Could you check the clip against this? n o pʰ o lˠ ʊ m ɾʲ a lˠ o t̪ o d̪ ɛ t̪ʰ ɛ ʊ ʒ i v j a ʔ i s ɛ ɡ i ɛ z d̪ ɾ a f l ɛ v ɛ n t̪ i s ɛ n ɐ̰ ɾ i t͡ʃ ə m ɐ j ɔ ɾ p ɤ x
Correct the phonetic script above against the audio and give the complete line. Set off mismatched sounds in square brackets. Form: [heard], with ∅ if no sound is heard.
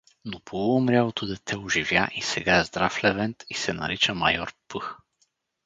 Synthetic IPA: n o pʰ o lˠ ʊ m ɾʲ a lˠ o t̪ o d̪ ɛ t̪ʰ ɛ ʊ ʒ i v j a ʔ i s ɛ ɡ [a] ɛ z d̪ ɾ a f l ɛ v ɛ n t̪ i s ɛ n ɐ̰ ɾ i t͡ʃ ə m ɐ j ɔ ɾ p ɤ x